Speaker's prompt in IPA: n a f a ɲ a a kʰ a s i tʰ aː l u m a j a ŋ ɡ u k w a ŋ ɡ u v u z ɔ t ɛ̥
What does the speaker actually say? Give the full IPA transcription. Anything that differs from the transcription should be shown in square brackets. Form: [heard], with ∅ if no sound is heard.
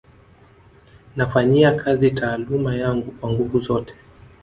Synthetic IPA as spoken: n a f a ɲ [i] a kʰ a [z] i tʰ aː l u m a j a ŋ ɡ u k w a ŋ ɡ u v u z ɔ t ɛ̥